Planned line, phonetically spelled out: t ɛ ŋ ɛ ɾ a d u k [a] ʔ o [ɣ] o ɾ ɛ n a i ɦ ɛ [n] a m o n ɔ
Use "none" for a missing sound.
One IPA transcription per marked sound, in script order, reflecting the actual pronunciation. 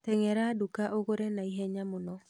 a, ɣ, ɲ

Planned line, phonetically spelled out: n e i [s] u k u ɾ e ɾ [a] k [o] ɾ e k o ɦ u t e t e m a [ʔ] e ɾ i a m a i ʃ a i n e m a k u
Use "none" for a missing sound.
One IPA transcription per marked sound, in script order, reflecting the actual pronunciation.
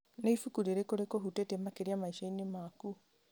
f, e, o, k

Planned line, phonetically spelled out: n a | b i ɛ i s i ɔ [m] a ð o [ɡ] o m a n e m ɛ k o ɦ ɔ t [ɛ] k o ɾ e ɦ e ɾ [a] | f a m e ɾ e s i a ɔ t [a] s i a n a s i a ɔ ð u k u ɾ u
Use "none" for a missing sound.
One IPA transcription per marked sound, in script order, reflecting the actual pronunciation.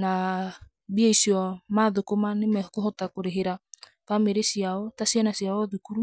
m, k, a, a, a

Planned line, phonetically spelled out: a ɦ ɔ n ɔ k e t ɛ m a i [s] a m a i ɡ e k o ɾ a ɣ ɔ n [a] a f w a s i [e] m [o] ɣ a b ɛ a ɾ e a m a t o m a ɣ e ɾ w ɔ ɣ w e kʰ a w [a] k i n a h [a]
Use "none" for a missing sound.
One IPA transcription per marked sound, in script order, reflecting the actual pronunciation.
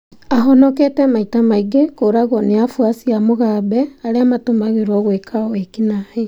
t, e, a, o, e, e

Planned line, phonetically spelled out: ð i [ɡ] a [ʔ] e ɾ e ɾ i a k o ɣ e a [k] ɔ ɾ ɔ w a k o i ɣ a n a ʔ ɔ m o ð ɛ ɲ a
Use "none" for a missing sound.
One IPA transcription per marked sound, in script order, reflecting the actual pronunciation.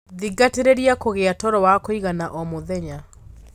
ɡ, t, t

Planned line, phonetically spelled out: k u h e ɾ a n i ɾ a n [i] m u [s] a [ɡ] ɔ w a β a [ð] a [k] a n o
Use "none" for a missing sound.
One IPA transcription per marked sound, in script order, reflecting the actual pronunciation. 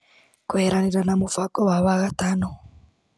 a, f, k, ɣ, t

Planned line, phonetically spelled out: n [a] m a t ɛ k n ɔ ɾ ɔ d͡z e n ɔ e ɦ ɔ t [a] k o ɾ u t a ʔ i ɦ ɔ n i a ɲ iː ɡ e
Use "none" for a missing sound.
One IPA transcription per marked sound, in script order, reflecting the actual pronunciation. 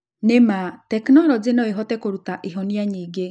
e, ɛ

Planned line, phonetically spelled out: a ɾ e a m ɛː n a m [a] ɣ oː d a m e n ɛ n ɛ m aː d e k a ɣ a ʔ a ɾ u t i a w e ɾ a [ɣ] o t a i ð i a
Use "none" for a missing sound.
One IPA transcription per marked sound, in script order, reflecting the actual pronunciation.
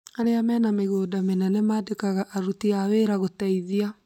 e, ɣ

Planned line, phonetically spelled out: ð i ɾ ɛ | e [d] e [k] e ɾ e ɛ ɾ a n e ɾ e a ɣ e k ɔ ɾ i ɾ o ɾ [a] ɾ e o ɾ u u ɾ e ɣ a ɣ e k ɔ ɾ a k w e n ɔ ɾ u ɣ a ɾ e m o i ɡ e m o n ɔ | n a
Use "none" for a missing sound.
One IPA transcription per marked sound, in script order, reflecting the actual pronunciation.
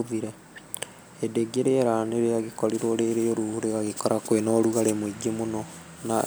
d, ɡ, e

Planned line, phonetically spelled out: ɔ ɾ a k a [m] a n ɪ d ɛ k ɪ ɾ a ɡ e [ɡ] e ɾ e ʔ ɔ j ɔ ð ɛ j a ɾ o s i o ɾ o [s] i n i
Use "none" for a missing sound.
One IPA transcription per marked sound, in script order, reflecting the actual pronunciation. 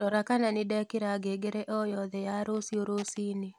n, ɡ, s

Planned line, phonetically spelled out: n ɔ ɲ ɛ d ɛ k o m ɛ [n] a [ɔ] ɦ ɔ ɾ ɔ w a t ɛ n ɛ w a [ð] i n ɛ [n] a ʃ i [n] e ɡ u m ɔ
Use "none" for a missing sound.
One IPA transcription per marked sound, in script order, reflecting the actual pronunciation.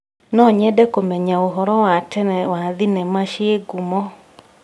ɲ, o, ð, m, none

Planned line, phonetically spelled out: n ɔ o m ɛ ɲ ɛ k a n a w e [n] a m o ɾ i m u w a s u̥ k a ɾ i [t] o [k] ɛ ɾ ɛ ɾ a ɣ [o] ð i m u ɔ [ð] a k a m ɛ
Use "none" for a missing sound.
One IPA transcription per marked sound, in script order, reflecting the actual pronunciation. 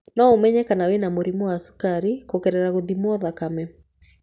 n, k, k, o, ð

